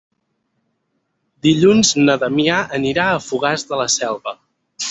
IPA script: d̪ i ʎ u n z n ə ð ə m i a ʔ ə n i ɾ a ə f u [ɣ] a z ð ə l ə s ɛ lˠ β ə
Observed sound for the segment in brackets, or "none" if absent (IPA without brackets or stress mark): ɣ